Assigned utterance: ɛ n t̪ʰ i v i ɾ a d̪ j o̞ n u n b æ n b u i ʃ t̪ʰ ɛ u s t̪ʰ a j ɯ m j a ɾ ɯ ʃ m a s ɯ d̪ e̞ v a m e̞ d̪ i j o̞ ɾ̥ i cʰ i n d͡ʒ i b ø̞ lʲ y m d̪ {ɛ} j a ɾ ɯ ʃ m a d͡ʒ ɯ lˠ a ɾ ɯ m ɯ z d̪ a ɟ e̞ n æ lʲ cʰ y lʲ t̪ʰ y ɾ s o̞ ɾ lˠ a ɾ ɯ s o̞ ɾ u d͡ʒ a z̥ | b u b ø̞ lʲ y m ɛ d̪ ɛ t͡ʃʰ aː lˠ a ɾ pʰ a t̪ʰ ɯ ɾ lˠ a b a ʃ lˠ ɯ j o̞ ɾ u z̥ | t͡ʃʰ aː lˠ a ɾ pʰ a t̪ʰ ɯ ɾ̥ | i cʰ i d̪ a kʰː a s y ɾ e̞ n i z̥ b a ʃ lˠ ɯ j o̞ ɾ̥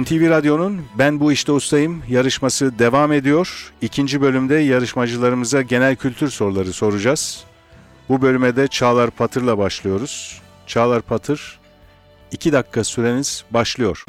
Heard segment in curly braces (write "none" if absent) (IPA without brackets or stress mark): ɛ